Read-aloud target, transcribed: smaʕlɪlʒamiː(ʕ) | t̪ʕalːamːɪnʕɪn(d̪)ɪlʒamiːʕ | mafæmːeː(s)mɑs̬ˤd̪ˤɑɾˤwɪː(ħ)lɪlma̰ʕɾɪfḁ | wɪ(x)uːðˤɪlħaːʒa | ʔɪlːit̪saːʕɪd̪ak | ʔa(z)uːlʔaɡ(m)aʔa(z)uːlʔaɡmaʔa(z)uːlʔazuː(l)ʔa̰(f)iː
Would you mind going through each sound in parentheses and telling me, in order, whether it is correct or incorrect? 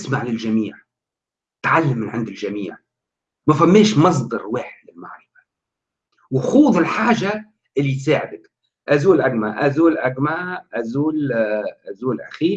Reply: correct, correct, incorrect: ʃ, correct, correct, correct, correct, correct, correct, correct, incorrect: x

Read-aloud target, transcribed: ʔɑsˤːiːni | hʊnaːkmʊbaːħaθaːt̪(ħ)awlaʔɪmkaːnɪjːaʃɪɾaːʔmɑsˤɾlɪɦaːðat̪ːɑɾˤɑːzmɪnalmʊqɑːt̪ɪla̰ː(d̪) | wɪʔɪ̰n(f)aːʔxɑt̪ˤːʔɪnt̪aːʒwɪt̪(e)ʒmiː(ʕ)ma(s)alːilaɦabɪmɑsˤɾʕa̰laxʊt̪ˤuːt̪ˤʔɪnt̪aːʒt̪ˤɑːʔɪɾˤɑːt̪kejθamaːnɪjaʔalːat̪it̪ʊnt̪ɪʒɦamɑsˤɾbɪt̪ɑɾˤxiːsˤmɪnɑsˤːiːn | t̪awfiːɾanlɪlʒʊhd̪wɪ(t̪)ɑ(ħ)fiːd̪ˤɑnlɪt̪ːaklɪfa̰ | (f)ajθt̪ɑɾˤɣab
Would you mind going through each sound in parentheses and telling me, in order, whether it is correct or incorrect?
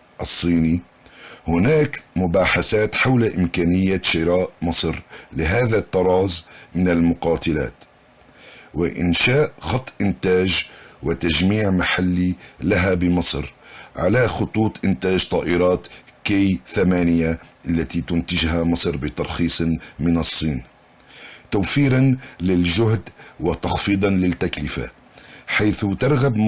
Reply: correct, incorrect: t̪, incorrect: ʃ, incorrect: a, correct, incorrect: ħ, correct, incorrect: x, incorrect: ħ

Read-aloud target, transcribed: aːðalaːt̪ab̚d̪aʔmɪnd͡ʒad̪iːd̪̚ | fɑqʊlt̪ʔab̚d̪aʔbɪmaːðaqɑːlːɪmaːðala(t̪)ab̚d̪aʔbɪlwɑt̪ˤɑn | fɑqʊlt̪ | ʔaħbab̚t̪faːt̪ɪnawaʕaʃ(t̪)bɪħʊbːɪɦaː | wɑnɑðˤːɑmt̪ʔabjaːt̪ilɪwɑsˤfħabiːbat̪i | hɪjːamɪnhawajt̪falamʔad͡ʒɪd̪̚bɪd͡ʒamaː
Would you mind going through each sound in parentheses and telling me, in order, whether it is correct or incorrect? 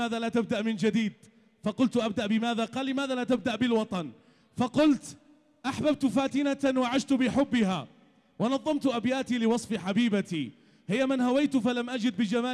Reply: correct, correct

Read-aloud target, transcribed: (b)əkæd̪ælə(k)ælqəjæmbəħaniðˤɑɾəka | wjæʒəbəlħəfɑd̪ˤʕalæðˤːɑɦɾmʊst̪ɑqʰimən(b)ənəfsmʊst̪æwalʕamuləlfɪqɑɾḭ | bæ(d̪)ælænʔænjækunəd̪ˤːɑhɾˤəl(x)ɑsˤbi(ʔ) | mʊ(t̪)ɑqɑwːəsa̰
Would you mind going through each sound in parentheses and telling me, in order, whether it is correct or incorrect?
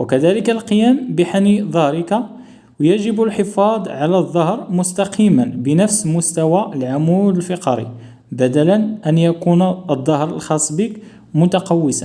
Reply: incorrect: w, correct, correct, correct, correct, incorrect: k, correct

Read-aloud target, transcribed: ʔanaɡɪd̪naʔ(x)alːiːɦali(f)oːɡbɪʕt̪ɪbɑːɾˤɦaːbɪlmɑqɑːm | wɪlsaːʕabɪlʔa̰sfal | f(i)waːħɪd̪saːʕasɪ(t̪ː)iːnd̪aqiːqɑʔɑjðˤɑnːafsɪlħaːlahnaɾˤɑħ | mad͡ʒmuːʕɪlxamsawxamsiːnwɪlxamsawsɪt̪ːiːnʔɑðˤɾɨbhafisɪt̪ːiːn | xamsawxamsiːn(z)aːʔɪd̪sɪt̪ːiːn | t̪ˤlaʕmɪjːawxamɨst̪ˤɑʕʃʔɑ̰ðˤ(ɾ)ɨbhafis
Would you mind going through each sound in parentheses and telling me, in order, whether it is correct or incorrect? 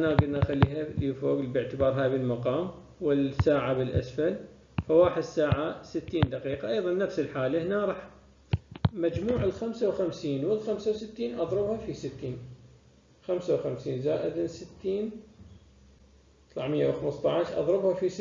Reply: correct, correct, incorrect: a, correct, correct, correct

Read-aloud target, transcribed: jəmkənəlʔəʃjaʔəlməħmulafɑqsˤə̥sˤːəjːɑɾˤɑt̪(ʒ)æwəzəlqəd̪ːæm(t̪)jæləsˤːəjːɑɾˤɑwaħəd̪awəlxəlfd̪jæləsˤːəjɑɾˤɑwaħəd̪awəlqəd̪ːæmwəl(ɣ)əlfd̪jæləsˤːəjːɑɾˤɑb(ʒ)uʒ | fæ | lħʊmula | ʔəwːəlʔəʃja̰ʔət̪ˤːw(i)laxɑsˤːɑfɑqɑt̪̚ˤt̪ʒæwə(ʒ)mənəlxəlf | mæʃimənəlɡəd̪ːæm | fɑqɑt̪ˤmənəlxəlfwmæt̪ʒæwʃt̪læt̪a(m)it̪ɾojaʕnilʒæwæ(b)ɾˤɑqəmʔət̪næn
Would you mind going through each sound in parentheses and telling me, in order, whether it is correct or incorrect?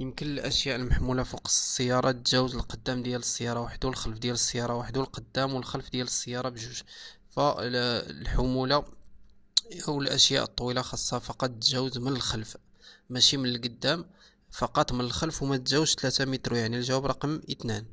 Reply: correct, incorrect: d̪, incorrect: x, correct, correct, incorrect: z, correct, correct

